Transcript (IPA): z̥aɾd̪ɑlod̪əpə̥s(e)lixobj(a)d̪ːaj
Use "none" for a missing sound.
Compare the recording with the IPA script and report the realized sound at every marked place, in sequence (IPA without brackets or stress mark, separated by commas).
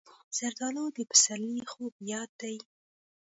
a, ɑ